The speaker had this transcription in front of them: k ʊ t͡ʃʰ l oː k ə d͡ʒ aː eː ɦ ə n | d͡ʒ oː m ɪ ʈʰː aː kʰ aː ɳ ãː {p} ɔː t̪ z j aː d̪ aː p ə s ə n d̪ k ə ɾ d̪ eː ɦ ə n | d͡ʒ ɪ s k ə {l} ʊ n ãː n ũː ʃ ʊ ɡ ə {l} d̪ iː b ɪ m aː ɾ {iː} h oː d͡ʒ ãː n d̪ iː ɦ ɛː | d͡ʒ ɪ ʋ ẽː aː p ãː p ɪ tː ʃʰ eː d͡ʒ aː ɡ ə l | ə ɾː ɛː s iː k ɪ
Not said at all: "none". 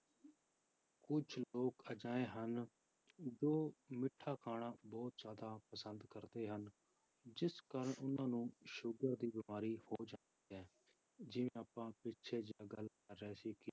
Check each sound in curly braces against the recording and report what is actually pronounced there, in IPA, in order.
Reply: b, ɾ, ɾ, iː

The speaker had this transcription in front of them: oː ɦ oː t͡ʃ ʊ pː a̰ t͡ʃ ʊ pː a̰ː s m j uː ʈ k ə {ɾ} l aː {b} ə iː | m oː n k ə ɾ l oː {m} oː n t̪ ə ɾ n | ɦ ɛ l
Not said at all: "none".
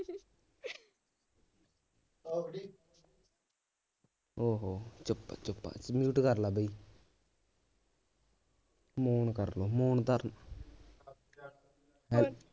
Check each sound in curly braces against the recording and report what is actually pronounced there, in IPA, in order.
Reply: ɾ, b, m

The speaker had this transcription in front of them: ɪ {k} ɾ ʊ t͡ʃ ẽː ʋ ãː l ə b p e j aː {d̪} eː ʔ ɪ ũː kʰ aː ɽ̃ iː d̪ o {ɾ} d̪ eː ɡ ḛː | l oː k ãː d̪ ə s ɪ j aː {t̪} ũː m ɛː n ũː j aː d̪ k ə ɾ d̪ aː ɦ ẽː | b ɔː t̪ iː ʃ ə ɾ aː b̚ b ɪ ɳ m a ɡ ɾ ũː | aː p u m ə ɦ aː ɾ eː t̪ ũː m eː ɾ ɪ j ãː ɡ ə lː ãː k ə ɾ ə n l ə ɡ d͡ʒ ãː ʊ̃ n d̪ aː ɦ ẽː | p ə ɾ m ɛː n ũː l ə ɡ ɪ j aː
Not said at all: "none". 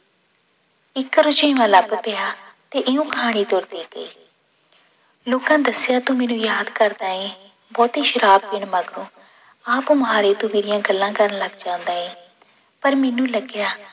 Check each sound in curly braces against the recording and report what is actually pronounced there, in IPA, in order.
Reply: k, t̪, ɾ, t̪

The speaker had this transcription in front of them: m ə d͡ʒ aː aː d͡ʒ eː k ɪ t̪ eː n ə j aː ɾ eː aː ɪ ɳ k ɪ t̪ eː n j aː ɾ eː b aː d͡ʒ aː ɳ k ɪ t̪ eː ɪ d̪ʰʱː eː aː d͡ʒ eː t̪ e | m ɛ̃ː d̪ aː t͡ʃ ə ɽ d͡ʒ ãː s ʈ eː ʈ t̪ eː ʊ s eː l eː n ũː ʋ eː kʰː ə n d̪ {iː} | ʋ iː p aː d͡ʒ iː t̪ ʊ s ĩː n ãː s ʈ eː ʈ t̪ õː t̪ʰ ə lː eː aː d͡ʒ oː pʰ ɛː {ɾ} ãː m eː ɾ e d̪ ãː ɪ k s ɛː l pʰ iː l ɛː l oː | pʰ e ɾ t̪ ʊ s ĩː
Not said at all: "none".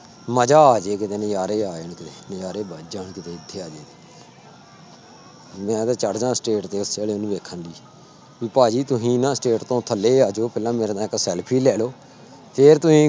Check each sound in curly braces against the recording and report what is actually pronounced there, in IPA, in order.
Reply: iː, l

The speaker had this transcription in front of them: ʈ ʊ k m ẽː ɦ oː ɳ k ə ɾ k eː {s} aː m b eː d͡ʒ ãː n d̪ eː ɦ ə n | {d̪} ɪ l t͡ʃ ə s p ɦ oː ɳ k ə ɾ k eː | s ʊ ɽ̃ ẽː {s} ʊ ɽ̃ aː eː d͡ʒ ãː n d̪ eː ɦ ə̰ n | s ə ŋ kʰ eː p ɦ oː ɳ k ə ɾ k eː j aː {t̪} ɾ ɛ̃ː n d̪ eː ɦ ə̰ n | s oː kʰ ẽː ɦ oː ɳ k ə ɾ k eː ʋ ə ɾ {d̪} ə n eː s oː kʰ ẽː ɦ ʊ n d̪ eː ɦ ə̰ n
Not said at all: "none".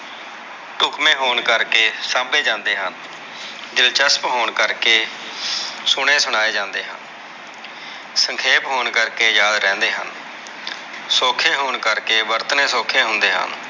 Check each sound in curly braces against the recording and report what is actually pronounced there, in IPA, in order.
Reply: s, d̪, s, d̪, t̪

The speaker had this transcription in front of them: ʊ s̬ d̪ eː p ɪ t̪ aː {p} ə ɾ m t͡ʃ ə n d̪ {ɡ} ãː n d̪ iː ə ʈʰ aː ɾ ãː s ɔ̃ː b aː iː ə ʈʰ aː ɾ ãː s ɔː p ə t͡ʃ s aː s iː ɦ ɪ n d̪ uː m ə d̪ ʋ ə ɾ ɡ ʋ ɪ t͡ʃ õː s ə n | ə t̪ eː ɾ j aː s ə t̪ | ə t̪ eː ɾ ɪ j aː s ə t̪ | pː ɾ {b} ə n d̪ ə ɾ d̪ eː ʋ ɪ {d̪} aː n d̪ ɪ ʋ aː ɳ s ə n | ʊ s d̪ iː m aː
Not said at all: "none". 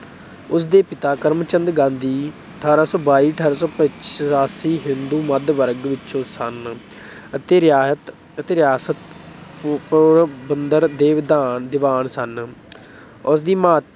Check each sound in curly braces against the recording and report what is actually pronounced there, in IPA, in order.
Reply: k, ɡ, b, d̪

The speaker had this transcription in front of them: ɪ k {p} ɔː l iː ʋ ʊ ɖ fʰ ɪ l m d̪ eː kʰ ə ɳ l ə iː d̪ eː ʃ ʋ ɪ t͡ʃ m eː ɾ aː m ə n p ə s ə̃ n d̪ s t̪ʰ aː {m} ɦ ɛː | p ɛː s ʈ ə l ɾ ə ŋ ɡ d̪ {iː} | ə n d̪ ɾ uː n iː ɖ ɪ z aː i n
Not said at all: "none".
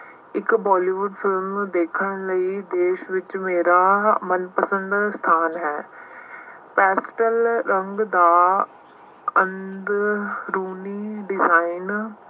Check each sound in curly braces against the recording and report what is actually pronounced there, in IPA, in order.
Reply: b, n, aː

